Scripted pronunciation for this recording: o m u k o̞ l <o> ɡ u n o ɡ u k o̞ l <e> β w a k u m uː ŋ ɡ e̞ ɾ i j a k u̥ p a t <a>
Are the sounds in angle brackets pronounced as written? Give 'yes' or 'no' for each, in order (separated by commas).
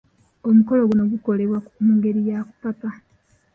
yes, yes, yes